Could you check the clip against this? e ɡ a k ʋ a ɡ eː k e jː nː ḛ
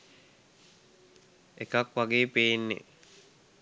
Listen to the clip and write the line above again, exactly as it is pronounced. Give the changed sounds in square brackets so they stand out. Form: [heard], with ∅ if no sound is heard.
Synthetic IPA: e [k] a k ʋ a ɡ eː [p] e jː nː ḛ